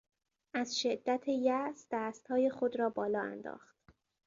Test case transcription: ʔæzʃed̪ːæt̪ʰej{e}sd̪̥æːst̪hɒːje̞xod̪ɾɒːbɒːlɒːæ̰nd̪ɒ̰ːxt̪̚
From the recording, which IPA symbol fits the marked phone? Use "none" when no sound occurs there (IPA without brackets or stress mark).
æ